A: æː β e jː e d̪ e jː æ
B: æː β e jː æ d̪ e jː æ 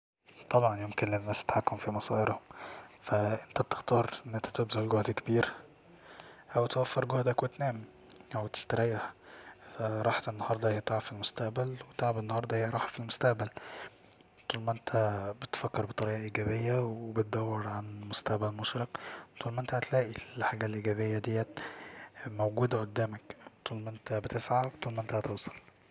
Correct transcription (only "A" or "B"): B